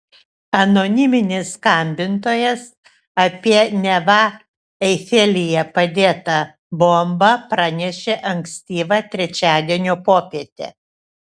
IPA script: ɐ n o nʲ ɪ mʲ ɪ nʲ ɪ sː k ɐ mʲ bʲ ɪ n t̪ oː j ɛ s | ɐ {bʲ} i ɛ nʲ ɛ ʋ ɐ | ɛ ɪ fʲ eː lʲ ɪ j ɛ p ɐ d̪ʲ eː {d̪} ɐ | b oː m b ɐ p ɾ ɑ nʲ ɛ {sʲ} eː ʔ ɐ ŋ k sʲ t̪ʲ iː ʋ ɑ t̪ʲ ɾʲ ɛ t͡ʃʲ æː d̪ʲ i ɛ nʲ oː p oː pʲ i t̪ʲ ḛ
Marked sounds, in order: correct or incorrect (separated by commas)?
incorrect, incorrect, incorrect